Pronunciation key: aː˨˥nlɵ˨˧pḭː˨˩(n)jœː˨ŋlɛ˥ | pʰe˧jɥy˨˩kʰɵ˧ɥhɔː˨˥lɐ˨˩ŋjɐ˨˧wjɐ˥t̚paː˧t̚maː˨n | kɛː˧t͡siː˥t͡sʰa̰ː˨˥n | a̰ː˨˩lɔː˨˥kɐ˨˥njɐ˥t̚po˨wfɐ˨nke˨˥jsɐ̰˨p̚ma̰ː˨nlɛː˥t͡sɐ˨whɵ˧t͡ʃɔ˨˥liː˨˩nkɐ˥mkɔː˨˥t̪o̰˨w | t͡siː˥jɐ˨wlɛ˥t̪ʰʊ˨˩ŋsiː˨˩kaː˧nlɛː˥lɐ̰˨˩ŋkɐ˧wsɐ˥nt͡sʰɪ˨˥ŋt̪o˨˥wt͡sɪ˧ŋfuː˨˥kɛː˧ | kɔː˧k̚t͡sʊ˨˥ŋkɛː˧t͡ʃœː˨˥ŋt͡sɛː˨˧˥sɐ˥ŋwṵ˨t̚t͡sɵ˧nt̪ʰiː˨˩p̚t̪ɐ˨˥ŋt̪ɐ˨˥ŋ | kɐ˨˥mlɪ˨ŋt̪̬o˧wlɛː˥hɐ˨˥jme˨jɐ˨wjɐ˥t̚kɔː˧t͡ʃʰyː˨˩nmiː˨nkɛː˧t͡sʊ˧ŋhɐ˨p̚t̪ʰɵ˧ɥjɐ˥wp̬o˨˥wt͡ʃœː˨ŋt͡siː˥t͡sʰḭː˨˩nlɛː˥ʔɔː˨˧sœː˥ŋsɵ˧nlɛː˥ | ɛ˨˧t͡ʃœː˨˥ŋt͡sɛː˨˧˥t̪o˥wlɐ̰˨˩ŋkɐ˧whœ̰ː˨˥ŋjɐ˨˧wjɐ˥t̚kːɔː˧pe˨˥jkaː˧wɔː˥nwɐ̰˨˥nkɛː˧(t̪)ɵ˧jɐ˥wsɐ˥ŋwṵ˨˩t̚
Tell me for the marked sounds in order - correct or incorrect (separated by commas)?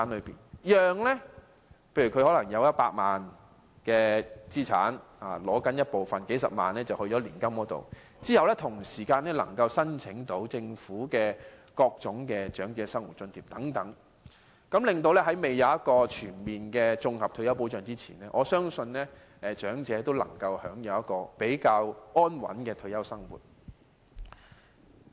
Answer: correct, incorrect